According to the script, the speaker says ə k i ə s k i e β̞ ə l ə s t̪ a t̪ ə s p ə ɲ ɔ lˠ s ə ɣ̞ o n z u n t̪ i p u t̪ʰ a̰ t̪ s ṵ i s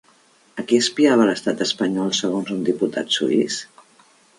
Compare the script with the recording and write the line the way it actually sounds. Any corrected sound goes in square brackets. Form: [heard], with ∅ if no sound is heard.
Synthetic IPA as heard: ə k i ə s [p] i [a] β̞ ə l ə s t̪ a t̪ ə s p ə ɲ ɔ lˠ s ə ɣ̞ o n z u n [d̪] i p u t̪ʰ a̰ t̪ s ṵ i s